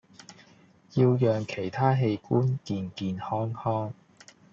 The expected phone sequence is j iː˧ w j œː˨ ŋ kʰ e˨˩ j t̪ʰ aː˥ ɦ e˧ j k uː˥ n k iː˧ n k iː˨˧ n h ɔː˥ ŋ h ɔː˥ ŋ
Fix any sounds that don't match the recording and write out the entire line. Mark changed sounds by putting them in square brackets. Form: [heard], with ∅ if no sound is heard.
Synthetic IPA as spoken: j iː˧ w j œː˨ ŋ kʰ e˨˩ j t̪ʰ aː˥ ɦ e˧ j k uː˥ n k iː˧ n k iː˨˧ n h ɔː˥ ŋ h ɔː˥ ŋ